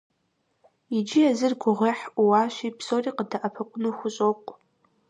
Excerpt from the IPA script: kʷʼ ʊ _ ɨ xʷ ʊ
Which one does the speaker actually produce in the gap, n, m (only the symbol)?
n